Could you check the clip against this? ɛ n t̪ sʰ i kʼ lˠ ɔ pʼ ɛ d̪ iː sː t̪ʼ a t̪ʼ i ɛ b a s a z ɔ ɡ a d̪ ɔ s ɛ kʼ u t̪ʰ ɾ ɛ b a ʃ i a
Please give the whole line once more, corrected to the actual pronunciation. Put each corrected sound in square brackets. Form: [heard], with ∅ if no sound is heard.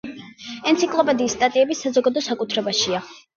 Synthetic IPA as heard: ɛ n t̪ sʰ i kʼ lˠ ɔ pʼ ɛ d̪ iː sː t̪ʼ a t̪ʼ i ɛ b [i] s a z ɔ ɡ a d̪ ɔ s [a] kʼ u t̪ʰ ɾ ɛ b a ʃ i a